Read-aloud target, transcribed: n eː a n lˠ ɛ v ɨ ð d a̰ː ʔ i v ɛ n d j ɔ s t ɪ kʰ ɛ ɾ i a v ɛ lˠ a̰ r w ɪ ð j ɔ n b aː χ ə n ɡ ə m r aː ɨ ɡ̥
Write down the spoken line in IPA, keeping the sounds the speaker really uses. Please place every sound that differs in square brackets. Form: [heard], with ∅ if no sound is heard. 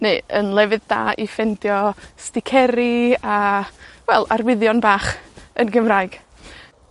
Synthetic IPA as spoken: n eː [ə] n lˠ ɛ v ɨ ð d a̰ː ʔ i [f] ɛ n d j ɔ s t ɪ kʰ ɛ ɾ i a [w] ɛ lˠ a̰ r w ɪ ð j ɔ n b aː χ ə n ɡ ə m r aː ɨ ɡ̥